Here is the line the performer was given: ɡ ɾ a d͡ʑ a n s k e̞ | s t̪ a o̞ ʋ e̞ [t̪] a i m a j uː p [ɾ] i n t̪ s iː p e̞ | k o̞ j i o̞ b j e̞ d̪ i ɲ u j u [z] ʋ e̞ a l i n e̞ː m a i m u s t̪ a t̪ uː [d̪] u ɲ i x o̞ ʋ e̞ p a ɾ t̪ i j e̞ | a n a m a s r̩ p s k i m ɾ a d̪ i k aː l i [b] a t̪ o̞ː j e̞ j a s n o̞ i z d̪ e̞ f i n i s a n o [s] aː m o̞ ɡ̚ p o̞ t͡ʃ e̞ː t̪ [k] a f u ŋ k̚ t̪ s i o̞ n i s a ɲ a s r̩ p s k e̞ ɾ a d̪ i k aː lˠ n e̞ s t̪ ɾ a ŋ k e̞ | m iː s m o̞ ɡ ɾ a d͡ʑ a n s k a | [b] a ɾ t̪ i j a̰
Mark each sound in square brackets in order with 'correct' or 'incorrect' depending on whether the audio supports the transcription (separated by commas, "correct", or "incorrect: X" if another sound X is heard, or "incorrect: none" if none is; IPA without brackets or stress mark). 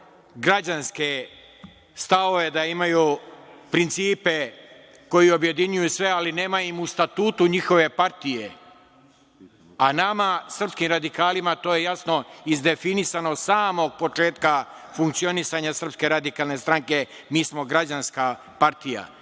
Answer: incorrect: d̪, correct, incorrect: s, incorrect: t̪, incorrect: m, correct, correct, incorrect: p